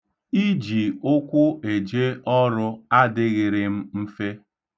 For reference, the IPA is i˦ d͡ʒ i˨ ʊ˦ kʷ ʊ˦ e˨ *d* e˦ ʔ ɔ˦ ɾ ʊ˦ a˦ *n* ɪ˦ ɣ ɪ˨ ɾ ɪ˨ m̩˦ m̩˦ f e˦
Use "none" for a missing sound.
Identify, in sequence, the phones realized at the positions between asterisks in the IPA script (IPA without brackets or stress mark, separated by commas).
d͡ʒ, d